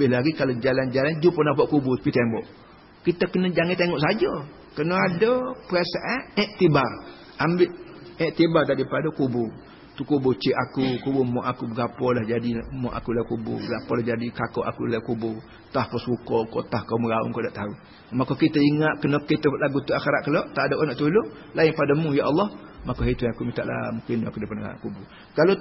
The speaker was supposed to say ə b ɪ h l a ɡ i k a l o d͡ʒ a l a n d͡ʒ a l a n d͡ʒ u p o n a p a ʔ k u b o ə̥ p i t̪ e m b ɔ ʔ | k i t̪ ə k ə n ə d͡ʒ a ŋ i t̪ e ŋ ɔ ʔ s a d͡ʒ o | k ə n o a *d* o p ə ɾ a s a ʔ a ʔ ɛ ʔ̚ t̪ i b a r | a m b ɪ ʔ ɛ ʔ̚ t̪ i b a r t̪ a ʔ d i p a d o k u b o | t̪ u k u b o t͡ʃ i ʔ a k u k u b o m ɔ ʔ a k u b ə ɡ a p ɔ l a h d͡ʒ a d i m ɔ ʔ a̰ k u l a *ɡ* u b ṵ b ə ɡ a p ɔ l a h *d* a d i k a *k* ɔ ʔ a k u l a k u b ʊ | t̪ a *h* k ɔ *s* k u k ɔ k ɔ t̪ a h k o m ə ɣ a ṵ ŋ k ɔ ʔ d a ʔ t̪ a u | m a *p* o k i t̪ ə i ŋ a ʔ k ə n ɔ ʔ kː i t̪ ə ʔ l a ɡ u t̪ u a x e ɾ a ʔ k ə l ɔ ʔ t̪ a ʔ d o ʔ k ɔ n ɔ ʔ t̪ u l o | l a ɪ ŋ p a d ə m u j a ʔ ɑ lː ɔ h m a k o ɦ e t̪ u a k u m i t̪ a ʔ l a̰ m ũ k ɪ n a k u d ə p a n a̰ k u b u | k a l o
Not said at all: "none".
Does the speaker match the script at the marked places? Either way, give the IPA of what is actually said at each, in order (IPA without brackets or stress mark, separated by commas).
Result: d, k, d͡ʒ, k, h, s, k